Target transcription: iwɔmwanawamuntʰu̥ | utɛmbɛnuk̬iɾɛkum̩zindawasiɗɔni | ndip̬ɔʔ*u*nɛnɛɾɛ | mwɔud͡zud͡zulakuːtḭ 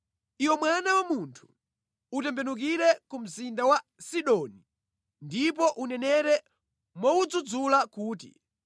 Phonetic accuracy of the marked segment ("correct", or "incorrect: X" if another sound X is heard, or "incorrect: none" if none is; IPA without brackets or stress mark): correct